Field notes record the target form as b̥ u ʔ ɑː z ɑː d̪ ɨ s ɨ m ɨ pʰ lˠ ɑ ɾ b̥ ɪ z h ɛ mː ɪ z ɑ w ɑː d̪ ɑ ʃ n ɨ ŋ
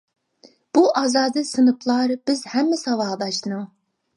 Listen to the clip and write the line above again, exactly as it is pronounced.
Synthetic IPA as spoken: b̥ u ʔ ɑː z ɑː d̪ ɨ s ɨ n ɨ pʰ lˠ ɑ ɾ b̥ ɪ z h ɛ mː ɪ s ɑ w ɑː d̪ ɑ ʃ n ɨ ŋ